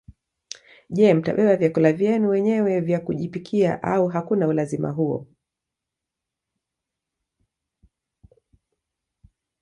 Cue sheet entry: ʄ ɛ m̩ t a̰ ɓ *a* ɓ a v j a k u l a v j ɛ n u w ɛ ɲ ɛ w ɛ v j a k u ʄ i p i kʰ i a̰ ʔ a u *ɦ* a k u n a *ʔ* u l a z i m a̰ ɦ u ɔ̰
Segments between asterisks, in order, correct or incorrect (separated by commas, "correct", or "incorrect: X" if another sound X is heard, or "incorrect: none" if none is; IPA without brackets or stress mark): incorrect: ɛ, correct, incorrect: none